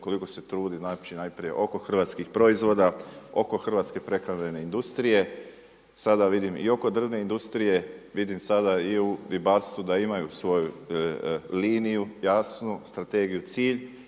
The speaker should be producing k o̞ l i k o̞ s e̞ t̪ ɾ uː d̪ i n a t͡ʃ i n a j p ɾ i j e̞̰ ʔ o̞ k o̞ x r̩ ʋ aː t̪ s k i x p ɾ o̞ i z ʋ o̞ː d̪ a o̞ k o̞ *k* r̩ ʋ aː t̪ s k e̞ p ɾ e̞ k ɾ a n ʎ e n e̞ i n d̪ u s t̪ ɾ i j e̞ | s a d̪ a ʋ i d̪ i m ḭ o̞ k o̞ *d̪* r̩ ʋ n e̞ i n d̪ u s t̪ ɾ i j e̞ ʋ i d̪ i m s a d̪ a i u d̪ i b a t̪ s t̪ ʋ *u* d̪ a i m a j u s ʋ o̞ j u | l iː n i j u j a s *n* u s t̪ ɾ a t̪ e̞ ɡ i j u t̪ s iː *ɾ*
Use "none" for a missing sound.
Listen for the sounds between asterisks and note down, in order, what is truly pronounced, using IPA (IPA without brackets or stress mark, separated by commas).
x, d̪, u, n, ʎ